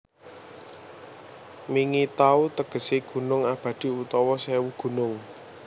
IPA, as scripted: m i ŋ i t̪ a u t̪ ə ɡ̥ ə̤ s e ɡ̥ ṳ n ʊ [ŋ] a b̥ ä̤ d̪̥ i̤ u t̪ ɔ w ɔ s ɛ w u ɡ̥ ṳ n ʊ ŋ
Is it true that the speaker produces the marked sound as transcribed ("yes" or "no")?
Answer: yes